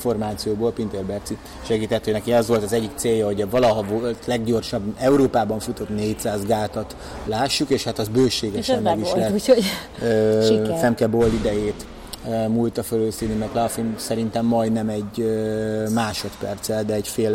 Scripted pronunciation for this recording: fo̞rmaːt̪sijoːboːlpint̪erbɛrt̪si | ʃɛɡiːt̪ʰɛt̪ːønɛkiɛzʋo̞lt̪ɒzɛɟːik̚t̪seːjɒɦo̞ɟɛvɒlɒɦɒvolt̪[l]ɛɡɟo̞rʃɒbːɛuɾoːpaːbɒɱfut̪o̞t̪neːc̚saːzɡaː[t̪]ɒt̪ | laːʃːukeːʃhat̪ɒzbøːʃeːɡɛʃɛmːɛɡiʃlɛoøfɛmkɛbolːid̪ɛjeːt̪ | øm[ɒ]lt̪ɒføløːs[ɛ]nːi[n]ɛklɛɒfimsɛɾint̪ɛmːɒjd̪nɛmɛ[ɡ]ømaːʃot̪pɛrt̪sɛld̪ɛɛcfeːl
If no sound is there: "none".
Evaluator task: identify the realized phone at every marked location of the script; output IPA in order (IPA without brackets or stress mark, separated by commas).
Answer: l, t̪, u, i, m, ɟ